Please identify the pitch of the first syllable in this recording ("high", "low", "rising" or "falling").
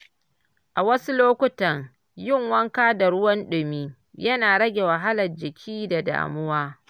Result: low